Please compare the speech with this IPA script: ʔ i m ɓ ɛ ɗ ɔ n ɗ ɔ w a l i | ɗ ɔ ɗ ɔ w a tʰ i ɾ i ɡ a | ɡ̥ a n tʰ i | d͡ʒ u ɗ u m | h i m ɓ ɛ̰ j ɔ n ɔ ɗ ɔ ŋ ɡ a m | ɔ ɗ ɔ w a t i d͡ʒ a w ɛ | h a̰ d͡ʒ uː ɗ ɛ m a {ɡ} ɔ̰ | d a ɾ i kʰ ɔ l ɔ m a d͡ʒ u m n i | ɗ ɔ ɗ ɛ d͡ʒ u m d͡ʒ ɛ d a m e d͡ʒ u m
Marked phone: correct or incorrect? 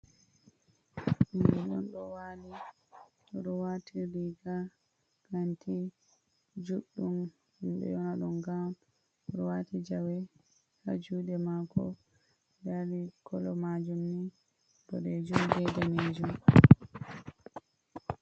incorrect